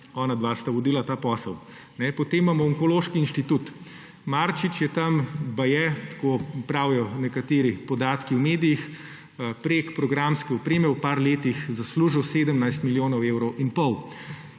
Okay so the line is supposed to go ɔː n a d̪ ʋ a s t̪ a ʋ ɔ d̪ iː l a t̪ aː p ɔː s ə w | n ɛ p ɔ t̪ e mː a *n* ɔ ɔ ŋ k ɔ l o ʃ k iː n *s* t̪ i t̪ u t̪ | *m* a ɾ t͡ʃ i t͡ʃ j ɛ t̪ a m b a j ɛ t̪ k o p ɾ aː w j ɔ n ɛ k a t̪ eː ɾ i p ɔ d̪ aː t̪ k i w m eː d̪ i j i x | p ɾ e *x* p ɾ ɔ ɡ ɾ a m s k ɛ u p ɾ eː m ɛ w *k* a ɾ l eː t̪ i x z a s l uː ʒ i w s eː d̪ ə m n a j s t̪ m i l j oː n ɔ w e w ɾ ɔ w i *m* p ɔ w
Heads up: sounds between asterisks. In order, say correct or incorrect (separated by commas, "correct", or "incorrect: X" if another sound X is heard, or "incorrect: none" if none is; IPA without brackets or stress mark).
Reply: incorrect: m, incorrect: ʃ, correct, incorrect: k, incorrect: p, incorrect: n